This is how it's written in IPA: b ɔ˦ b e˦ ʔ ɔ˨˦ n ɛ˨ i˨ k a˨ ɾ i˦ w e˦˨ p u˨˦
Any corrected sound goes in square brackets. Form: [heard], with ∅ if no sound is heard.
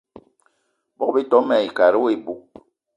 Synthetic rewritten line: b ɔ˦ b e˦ [t] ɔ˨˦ [m] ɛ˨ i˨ k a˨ ɾ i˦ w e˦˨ [b] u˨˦